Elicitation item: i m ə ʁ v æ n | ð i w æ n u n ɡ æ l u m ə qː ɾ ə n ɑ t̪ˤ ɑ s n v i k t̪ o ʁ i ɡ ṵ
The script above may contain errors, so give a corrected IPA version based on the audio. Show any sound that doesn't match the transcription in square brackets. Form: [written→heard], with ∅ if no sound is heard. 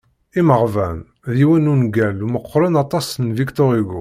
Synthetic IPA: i m ə ʁ v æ n | ð i w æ n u n ɡ æ l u m ə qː ɾ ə n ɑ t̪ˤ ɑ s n v i k t̪ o ʁ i ɡ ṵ